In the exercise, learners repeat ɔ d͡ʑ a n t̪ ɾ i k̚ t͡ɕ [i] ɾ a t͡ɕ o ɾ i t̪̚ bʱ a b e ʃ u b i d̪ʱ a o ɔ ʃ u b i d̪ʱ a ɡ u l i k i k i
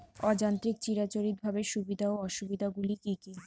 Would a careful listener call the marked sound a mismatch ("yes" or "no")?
no